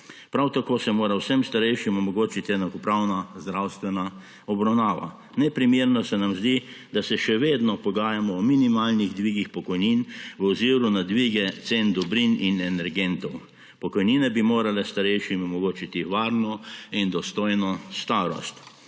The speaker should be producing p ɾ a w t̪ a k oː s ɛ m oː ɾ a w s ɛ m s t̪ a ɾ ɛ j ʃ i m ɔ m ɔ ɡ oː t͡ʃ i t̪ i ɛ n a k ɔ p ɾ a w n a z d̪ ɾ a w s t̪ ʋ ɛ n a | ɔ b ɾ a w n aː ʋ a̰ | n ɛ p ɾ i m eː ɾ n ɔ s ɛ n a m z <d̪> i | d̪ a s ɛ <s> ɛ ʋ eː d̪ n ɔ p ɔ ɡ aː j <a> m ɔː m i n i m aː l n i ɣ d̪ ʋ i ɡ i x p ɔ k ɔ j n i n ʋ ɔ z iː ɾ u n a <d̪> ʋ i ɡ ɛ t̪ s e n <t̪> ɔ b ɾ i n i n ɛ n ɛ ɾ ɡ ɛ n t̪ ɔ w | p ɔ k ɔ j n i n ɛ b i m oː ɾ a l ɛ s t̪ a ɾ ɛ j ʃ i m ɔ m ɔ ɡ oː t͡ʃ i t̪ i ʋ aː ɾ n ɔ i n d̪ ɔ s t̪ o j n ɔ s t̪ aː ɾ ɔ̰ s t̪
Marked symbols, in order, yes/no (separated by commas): yes, no, yes, yes, no